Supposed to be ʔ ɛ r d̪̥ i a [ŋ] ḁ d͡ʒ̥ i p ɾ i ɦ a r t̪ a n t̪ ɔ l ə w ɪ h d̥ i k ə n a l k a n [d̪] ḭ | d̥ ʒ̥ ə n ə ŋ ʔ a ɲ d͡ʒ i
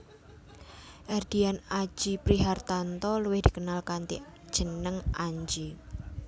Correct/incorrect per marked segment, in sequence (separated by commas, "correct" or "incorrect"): incorrect, incorrect